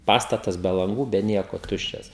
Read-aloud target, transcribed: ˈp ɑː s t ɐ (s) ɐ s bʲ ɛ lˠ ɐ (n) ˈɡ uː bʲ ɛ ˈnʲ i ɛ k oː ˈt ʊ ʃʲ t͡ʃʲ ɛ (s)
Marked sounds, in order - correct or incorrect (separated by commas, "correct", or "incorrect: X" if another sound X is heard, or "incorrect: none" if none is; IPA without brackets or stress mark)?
incorrect: t, incorrect: ŋ, correct